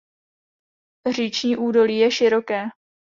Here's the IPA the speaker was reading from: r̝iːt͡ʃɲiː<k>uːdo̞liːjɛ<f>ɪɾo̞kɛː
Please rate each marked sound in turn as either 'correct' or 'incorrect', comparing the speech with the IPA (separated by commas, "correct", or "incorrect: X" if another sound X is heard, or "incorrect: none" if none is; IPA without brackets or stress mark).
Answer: incorrect: ʔ, incorrect: ʃ